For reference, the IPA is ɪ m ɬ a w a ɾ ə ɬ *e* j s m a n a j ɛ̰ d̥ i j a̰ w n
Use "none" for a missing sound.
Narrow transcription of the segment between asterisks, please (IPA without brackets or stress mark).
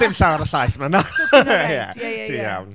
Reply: a